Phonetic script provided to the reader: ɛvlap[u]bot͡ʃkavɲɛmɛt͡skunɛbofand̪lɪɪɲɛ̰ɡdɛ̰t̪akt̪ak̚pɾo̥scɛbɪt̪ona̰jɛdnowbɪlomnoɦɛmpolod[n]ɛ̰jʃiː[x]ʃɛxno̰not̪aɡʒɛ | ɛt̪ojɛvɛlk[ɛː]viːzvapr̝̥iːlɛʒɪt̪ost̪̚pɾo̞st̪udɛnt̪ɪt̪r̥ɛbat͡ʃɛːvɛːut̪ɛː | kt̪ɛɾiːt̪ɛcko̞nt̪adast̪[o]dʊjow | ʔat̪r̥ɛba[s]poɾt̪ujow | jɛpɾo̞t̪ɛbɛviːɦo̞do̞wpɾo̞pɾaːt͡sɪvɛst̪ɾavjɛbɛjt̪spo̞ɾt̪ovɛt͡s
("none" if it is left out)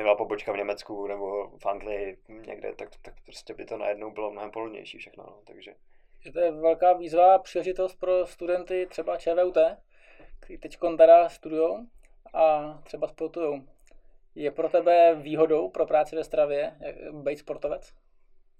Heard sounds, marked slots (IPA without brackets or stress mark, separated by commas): o, ɲ, f, aː, u, s